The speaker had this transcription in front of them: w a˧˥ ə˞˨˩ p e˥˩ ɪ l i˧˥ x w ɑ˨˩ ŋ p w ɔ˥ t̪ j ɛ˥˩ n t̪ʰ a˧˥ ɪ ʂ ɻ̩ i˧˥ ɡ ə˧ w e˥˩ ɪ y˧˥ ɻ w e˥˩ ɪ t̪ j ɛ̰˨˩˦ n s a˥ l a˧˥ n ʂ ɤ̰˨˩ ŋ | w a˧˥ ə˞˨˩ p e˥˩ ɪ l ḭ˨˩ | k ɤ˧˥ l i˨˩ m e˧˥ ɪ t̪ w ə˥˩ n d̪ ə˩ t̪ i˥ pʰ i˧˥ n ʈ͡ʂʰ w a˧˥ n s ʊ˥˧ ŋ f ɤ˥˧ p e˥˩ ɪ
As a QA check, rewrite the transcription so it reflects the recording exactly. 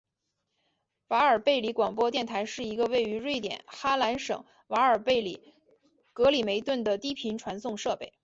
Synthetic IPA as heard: w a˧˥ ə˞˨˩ p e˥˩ ɪ l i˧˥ k w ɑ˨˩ ŋ p w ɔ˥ t̪ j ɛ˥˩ n t̪ʰ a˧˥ ɪ ʂ ɻ̩ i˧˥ ɡ ə˧ w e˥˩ ɪ y˧˥ ɻ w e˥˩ ɪ t̪ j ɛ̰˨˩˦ n x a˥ l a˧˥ n ʂ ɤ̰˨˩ ŋ | w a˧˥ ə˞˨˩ p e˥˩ ɪ l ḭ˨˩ | k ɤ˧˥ l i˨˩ m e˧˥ ɪ t̪ w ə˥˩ n d̪ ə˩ t̪ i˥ pʰ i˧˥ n ʈ͡ʂʰ w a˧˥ n s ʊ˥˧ ŋ ʂ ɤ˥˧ p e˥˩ ɪ

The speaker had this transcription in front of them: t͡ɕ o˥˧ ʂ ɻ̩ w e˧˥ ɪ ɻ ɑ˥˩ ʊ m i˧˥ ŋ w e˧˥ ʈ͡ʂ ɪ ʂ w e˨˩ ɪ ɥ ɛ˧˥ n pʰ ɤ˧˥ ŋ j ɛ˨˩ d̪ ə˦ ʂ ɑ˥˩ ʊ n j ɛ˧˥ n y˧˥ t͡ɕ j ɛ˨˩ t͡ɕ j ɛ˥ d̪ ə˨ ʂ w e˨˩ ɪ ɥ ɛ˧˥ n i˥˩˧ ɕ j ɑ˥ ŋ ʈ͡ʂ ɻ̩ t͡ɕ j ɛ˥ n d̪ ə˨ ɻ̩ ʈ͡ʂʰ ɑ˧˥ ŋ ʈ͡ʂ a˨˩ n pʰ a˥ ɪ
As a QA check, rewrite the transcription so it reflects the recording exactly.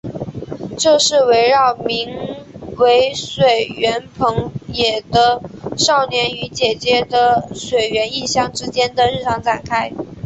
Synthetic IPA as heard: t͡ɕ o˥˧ ʂ ɻ̩ w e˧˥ ɪ ɻ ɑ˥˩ ʊ m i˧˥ ŋ w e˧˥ ɪ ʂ w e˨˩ ɪ ɥ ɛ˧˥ n pʰ ɤ˧˥ ŋ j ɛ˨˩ d̪ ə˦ ʂ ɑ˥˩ ʊ n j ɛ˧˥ n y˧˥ t͡ɕ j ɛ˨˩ t͡ɕ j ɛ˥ d̪ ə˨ ʂ w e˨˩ ɪ ɥ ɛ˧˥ n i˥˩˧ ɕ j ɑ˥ ŋ ʈ͡ʂ ɻ̩ t͡ɕ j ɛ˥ n d̪ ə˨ ɻ̩ ʈ͡ʂʰ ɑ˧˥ ŋ ʈ͡ʂ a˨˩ n kʰ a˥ ɪ

